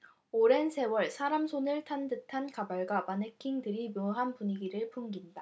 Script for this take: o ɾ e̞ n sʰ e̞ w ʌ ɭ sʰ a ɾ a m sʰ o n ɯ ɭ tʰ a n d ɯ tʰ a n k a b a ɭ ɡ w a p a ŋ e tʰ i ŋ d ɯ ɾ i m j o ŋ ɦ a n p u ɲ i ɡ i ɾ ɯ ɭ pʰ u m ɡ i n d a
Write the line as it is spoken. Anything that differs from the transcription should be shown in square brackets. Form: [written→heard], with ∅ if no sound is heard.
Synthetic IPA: o ɾ e̞ n sʰ e̞ w ʌ ɭ sʰ a ɾ a m sʰ o n ɯ ɭ tʰ a n d ɯ tʰ a n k a b a ɭ ɡ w a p a [ŋ→n] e [tʰ→kʰ] i ŋ d ɯ ɾ i m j o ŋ ɦ a n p u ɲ i ɡ i ɾ ɯ ɭ pʰ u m ɡ i n d a